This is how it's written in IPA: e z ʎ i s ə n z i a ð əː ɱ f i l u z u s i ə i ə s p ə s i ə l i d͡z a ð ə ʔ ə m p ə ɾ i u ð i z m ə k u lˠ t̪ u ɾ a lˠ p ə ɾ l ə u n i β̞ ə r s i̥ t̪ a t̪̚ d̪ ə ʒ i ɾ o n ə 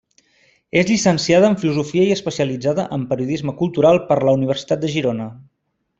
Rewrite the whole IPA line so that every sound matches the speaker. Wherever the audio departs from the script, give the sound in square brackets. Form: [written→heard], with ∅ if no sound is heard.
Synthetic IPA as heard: e z ʎ i s ə n [z→s] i a ð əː ɱ f i l u z u [s→f] i ə i ə s p ə s i ə l i d͡z a ð ə ʔ ə m p ə ɾ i u ð i z m ə k u lˠ t̪ u ɾ a lˠ p ə ɾ l ə u n i β̞ ə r s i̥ t̪ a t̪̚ d̪ ə ʒ i ɾ o n ə